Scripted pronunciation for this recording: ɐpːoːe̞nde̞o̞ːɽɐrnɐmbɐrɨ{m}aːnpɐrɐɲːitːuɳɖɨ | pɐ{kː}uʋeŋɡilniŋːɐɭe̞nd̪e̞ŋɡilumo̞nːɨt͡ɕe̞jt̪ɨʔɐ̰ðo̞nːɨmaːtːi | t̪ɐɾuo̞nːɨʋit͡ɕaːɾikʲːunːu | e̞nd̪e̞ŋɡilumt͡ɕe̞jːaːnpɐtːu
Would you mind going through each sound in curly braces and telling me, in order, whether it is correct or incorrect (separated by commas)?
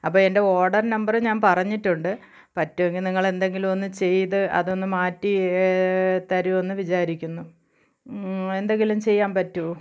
incorrect, incorrect